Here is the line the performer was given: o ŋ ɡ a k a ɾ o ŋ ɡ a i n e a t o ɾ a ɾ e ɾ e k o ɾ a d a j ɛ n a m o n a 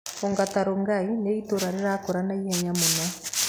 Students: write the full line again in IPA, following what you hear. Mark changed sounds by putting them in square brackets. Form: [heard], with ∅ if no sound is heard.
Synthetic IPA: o ŋ ɡ a [t] a ɾ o ŋ ɡ a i n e [i] t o ɾ a ɾ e ɾ [a] k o ɾ a [n] a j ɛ [ɲ] a m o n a